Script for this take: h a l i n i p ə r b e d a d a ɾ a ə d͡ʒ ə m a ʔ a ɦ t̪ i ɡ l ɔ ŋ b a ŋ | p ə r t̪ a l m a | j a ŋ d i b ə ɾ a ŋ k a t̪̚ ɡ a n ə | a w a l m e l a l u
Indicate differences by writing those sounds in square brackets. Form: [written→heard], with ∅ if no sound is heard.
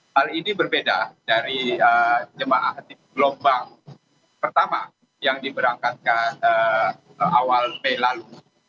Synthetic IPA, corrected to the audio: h a l i n i [p→b] ə r b e d a d a ɾ [a→i] ə d͡ʒ ə m a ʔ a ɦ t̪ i ɡ l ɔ [ŋ→m] b a ŋ | p ə r t̪ a [l→∅] m a | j a ŋ d i b ə ɾ a ŋ k a t̪̚ [ɡ→k] a n ə | a w a l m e l a l u